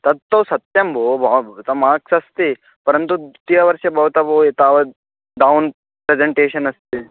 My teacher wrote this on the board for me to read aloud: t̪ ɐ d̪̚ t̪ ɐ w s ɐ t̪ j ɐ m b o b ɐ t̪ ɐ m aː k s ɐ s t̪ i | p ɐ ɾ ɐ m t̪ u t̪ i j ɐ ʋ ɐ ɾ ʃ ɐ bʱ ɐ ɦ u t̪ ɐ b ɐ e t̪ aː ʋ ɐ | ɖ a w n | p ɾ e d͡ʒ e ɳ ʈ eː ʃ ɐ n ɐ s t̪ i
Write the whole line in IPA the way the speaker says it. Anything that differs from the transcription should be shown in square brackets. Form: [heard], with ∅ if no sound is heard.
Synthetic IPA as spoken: t̪ ɐ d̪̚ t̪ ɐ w s ɐ t̪ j ɐ m b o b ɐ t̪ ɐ m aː k s ɐ s t̪ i | p ɐ ɾ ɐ [n] t̪ u t̪ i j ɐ ʋ ɐ ɾ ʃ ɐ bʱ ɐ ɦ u t̪ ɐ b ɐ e t̪ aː ʋ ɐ | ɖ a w n | p ɾ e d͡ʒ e ɳ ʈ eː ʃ ɐ n ɐ s t̪ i

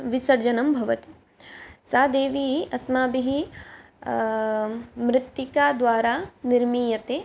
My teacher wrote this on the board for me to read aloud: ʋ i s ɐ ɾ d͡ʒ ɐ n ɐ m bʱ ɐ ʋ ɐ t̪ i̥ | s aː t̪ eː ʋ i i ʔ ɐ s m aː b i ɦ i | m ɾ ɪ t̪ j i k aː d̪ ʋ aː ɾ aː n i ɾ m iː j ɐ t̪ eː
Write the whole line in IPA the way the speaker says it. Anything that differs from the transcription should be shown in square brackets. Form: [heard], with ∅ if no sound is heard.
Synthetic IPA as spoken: ʋ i s ɐ ɾ d͡ʒ ɐ n ɐ m bʱ ɐ ʋ ɐ t̪ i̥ | s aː [d̪] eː ʋ i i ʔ ɐ s m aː b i ɦ i | m ɾ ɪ t̪ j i k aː d̪ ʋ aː ɾ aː n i ɾ m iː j ɐ t̪ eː

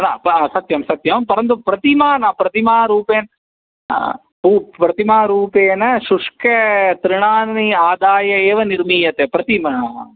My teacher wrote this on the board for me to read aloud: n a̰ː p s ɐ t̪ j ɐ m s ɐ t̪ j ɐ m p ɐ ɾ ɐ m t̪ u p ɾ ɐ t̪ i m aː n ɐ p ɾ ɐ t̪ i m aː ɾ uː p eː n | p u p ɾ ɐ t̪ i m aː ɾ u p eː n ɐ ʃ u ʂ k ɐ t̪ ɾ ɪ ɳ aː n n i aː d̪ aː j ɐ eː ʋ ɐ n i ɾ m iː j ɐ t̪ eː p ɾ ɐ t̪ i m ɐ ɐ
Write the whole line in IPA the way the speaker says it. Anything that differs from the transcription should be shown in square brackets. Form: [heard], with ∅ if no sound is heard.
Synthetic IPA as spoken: n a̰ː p s ɐ t̪ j ɐ m s ɐ t̪ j ɐ m p ɐ ɾ ɐ [n] t̪ u p ɾ ɐ t̪ i m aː n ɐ p ɾ ɐ t̪ i m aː ɾ uː p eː n | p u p ɾ ɐ t̪ i m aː ɾ [uː] p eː n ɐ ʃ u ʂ k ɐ t̪ ɾ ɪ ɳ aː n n i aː d̪ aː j ɐ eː ʋ ɐ n i ɾ m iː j ɐ t̪ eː p ɾ ɐ t̪ i m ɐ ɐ

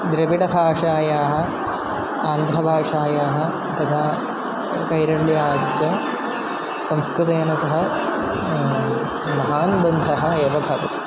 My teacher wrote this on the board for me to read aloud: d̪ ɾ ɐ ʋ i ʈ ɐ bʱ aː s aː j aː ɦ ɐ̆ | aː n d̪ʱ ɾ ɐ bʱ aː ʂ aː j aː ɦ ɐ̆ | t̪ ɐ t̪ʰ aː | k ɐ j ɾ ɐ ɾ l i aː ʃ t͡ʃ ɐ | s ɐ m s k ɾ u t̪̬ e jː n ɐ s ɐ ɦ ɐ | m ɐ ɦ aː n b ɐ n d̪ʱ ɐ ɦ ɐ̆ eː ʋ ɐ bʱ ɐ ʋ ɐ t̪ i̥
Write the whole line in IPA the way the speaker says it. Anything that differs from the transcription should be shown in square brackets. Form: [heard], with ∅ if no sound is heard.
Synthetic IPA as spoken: d̪ ɾ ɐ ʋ i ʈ ɐ bʱ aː [ʂ] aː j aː ɦ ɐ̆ | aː n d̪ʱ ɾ ɐ bʱ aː ʂ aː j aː ɦ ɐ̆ | t̪ ɐ t̪ʰ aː | k ɐ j ɾ ɐ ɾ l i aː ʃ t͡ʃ ɐ | s ɐ m s k ɾ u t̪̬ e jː n ɐ s ɐ ɦ ɐ | m ɐ ɦ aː n b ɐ n d̪ʱ ɐ ɦ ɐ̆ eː ʋ ɐ bʱ ɐ ʋ ɐ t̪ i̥

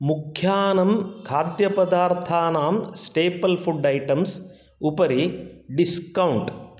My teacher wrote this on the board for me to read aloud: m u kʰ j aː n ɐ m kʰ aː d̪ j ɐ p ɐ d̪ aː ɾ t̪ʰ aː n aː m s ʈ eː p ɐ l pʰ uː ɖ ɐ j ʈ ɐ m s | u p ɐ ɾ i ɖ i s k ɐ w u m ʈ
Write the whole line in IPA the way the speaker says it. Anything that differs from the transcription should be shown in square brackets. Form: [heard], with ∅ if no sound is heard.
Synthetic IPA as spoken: m u kʰ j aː n ɐ m kʰ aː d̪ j ɐ p ɐ d̪ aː ɾ t̪ʰ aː n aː m s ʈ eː p ɐ l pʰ [u] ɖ ɐ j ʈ ɐ m s | u p ɐ ɾ i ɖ i s k ɐ w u [ɳ] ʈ

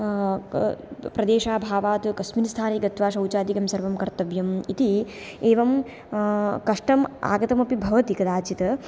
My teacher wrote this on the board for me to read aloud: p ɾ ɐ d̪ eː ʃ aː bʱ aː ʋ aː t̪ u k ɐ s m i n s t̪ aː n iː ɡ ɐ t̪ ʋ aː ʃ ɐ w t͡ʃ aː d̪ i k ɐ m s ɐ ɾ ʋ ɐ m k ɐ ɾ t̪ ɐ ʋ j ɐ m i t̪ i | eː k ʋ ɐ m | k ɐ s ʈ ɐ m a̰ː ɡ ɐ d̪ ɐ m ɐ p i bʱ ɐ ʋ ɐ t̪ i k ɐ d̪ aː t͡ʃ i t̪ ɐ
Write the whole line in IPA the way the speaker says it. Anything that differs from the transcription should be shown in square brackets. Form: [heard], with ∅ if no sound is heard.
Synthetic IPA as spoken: p ɾ ɐ d̪ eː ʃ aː bʱ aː ʋ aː t̪ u k ɐ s m i n s [t̪ʰ] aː n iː ɡ ɐ t̪ ʋ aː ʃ ɐ w t͡ʃ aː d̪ i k ɐ m s ɐ ɾ ʋ ɐ m k ɐ ɾ t̪ ɐ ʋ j ɐ m i t̪ i | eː [∅] ʋ ɐ m | k ɐ [ʂ] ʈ ɐ m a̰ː ɡ ɐ [t̪] ɐ m ɐ p i bʱ ɐ ʋ ɐ t̪ i k ɐ d̪ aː t͡ʃ i t̪ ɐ

